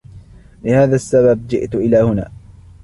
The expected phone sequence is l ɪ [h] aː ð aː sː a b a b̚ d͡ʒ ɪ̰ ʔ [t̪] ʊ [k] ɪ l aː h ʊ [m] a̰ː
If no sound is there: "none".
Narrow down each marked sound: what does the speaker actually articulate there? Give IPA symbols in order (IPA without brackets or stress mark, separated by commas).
h, t̪, ʔ, n